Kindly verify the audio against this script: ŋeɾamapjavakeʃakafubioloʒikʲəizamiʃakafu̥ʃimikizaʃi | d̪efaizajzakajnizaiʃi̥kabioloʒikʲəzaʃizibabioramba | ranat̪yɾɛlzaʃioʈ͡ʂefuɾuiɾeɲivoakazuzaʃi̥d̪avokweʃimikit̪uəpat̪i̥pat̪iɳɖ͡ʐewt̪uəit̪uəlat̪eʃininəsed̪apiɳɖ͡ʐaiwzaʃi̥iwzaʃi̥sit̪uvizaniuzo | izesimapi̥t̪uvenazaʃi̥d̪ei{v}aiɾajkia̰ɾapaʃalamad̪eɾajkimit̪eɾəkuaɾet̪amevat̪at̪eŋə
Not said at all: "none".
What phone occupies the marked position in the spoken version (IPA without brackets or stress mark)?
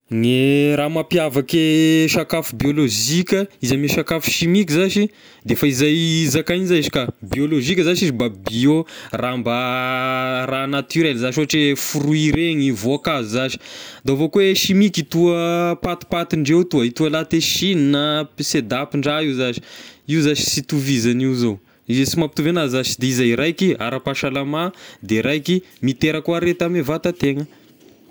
z